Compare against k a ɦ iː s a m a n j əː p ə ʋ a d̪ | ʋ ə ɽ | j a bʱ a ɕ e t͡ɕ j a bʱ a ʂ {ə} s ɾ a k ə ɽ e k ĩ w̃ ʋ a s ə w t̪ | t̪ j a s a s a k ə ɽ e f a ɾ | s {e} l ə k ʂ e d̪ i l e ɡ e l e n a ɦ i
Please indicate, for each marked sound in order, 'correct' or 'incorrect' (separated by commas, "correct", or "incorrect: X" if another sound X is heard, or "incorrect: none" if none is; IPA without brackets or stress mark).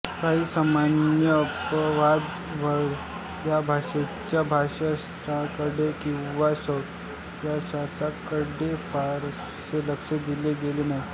incorrect: a, correct